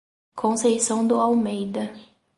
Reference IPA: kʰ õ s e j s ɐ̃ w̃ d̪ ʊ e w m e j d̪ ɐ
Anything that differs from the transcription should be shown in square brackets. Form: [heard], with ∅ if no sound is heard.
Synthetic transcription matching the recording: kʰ õ s e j s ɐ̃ w̃ d̪ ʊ [a] w m e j d̪ ɐ